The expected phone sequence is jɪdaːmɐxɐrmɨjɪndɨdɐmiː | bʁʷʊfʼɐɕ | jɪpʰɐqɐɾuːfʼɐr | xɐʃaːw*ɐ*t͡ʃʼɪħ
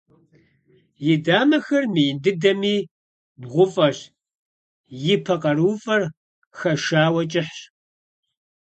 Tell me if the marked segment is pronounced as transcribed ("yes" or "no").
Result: yes